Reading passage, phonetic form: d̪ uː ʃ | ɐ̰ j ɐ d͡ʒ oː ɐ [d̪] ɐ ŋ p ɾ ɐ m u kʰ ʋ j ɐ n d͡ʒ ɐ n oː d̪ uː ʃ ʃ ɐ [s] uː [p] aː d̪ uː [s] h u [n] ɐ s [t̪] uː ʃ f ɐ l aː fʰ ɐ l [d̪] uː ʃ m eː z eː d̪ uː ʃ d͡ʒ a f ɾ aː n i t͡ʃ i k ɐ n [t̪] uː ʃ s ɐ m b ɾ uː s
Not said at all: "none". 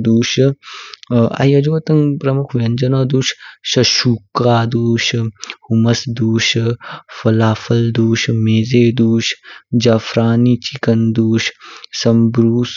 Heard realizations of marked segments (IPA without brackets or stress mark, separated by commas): t̪, ʃ, k, ʃ, m, d̪, d̪, d̪